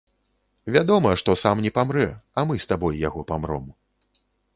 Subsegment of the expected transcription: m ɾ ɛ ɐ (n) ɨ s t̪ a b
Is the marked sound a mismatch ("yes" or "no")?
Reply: yes